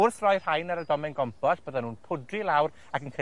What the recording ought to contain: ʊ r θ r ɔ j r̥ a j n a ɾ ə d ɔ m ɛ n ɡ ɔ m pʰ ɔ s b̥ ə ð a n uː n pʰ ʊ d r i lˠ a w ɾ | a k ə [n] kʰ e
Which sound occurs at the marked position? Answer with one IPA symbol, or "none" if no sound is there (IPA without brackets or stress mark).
n